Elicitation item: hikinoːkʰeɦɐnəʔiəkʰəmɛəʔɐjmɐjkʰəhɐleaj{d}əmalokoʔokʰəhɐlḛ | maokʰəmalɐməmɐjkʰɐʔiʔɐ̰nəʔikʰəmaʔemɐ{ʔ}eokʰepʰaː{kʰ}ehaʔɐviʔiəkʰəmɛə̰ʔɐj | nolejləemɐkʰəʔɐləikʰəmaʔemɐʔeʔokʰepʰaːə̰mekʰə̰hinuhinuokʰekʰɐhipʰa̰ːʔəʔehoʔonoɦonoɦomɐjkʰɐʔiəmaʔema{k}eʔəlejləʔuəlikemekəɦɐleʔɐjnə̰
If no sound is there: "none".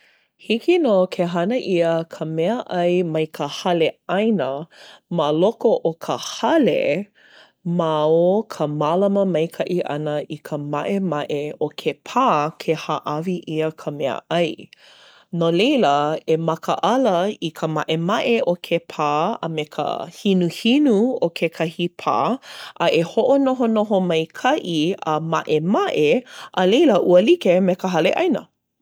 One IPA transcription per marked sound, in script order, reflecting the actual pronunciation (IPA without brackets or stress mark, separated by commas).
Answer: n, ʔ, kʰ, ʔ